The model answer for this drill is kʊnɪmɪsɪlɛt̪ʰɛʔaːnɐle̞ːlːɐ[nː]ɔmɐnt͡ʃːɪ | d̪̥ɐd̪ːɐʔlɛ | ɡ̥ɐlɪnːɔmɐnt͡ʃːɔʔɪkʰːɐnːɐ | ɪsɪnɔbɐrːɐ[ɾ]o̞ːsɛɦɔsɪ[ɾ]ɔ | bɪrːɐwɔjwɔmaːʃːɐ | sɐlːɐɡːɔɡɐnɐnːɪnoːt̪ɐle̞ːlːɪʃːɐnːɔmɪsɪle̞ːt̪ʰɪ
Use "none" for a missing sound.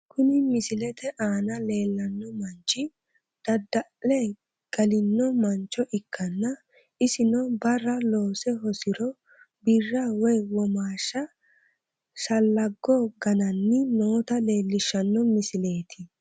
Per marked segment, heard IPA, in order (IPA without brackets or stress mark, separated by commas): nː, l, ɾ